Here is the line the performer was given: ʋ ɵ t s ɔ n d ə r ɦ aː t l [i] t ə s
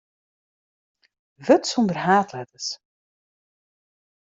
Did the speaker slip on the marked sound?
yes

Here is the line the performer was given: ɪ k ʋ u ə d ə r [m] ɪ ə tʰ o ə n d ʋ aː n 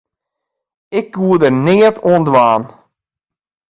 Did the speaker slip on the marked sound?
yes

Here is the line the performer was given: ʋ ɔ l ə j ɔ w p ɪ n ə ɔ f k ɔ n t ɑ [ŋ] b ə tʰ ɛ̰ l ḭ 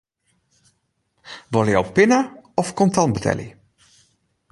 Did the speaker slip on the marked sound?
yes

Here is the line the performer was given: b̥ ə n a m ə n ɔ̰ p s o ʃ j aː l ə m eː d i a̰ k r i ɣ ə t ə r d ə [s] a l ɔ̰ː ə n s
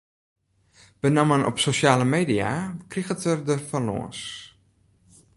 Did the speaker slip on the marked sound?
yes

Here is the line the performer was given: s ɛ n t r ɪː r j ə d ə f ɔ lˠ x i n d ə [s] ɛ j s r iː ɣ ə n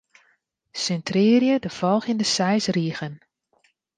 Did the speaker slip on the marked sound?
no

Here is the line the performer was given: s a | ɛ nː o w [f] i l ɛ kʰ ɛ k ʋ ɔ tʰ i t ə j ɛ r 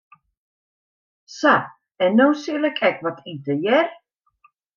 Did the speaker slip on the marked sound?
yes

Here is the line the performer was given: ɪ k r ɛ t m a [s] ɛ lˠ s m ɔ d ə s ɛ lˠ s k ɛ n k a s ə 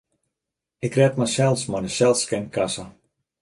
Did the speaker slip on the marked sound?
no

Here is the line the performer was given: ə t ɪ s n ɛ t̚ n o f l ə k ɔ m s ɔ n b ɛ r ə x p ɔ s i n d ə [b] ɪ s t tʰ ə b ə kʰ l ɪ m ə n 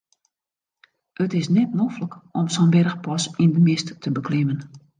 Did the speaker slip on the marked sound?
yes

